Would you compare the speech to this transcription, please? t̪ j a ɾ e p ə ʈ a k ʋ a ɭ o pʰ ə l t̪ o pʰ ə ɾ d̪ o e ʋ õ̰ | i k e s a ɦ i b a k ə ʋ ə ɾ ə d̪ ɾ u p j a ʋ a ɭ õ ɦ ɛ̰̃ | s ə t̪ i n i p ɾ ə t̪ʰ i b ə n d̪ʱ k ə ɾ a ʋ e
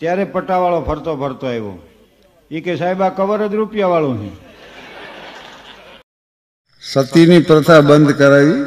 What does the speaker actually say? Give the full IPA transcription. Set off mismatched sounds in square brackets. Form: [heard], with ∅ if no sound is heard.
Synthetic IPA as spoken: t̪ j a ɾ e p ə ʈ a [∅] ʋ a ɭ o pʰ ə [ɾ] t̪ o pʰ ə ɾ [t̪] o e ʋ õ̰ | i k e s a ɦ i b a k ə ʋ ə ɾ ə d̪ ɾ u p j a ʋ a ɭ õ ɦ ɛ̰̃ | s ə t̪ i n i p ɾ ə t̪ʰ [a] b ə n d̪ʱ k ə ɾ a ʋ [i]